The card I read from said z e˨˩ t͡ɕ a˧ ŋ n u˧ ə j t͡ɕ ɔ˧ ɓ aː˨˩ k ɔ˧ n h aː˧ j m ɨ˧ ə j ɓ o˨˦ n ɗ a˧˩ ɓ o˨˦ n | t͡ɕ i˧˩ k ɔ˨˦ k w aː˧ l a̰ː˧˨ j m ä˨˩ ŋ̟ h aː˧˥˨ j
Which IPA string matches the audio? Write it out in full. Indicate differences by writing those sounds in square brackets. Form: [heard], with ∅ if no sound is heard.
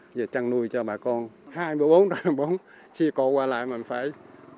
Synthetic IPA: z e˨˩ t͡ɕ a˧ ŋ n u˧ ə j t͡ɕ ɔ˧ ɓ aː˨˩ k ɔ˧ n h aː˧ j m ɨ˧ ə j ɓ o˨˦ n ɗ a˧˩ ɓ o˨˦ n | t͡ɕ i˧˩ k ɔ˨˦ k w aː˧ l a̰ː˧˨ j m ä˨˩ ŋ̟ [f] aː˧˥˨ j